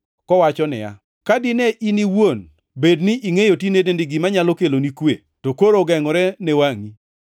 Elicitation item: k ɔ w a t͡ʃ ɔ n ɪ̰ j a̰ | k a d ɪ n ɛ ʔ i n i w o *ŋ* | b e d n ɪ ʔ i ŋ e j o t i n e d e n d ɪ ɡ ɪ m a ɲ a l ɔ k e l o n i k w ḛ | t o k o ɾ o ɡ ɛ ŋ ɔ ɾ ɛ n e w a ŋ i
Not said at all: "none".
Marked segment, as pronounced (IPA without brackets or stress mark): n